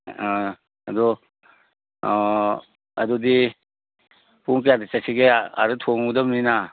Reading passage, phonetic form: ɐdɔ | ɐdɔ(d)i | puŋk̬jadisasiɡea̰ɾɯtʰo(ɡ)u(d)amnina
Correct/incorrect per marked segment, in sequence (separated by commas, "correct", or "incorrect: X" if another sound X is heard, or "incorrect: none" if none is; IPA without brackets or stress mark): correct, incorrect: ŋ, correct